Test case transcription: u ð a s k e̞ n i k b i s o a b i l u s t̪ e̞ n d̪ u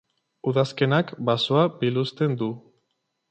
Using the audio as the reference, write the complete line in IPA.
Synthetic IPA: u ð a s k e̞ n a k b a s o a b i l u s t̪ e̞ n d̪ u